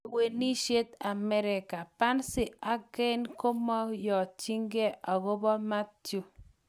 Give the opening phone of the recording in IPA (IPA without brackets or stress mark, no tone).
w